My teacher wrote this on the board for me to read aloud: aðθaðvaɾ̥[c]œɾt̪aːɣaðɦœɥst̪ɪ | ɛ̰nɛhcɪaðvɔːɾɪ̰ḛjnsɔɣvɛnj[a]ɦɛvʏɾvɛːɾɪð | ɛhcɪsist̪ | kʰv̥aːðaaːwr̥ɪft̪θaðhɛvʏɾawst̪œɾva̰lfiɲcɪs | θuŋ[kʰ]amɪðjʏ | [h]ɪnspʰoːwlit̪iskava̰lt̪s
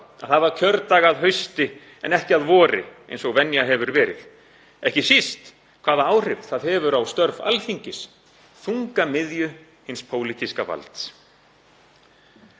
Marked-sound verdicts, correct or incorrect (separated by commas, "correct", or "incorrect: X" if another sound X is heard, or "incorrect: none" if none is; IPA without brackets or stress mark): incorrect: cʰ, correct, incorrect: k, correct